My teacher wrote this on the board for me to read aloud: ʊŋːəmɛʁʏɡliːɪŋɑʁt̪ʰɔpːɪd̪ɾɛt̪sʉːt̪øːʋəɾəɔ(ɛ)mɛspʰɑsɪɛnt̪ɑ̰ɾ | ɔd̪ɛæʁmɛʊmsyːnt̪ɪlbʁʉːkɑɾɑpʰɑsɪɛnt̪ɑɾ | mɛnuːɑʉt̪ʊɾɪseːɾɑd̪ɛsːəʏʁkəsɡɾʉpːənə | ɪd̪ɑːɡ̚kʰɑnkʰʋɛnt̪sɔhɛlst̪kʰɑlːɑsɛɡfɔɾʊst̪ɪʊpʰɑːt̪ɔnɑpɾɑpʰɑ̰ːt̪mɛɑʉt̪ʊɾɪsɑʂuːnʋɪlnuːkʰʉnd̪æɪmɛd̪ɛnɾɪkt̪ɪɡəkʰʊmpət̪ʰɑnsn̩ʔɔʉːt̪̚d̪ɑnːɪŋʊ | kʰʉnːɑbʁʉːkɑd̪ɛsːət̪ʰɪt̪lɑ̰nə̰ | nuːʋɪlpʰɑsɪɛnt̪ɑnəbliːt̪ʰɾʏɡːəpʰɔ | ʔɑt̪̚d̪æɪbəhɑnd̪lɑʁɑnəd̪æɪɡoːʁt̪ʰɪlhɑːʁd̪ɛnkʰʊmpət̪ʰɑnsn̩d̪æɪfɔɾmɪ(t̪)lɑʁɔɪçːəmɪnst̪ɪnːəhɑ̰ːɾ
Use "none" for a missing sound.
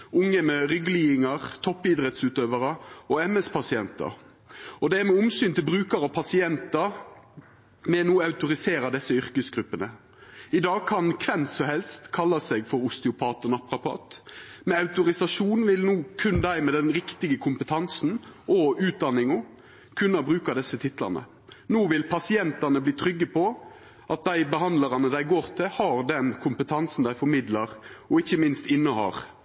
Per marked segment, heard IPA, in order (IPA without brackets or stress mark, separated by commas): ɛ, d̪